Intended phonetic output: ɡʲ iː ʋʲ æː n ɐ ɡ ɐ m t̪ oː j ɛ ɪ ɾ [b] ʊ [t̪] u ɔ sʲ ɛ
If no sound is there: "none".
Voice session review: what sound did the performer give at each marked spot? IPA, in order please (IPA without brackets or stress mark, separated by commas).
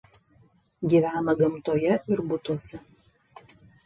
b, t̪